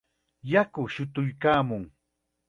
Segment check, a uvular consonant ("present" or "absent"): absent